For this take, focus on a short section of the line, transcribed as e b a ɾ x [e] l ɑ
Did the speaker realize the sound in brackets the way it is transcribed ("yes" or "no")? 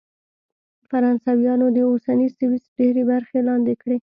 yes